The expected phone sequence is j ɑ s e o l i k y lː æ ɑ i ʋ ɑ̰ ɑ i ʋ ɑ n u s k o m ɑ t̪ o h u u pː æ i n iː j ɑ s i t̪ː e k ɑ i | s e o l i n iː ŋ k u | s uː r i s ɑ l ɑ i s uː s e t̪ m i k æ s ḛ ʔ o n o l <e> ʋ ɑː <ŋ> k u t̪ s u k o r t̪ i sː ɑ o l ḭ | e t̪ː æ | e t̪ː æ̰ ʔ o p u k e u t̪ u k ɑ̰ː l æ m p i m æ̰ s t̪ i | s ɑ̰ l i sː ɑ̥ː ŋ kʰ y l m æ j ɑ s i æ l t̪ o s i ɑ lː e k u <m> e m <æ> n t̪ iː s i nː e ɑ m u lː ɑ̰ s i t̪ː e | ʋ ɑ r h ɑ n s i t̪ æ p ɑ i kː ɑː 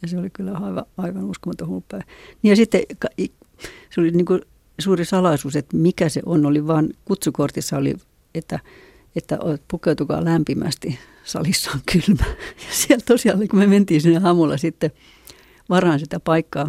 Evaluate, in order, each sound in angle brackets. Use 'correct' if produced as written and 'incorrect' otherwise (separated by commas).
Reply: incorrect, incorrect, correct, incorrect